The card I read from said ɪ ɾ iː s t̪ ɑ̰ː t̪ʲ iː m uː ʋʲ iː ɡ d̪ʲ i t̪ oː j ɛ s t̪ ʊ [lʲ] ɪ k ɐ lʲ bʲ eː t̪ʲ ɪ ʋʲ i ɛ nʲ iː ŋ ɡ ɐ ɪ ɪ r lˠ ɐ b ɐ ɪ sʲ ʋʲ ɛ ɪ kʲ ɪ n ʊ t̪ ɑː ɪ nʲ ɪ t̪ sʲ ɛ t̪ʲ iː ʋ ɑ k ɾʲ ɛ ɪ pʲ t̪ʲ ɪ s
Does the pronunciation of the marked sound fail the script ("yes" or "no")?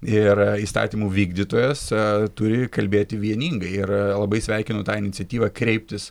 yes